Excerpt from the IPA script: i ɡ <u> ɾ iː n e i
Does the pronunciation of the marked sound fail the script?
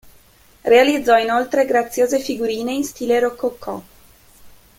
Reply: no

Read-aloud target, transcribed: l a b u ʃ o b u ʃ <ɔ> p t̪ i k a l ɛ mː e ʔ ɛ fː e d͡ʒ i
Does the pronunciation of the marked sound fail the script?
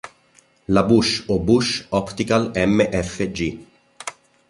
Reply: no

